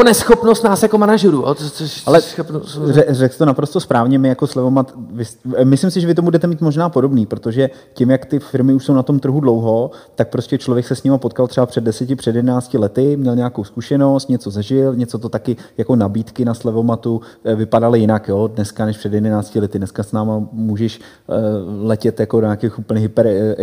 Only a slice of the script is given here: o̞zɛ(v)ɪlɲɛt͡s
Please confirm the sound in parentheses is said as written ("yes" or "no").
no